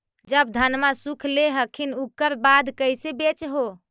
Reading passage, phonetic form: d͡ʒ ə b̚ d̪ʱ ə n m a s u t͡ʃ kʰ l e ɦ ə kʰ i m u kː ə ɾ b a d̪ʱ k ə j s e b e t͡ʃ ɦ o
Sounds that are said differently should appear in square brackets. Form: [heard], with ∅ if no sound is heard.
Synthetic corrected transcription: d͡ʒ ə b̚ d̪ʱ ə n m a s u [∅] kʰ l e ɦ ə kʰ i [n] u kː ə ɾ b a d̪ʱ k ə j s e b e t͡ʃ ɦ o